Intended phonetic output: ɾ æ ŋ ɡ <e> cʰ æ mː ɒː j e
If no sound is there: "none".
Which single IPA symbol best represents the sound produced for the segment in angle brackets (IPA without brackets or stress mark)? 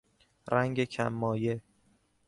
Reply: e